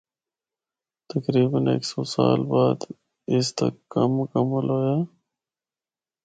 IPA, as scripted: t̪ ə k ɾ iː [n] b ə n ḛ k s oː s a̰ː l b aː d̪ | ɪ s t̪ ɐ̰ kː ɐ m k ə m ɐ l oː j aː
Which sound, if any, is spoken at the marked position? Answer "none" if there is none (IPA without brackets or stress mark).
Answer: none